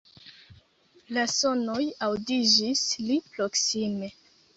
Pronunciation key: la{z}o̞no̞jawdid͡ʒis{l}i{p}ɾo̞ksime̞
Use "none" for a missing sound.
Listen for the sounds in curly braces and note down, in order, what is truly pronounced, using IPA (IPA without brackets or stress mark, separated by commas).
s, l, p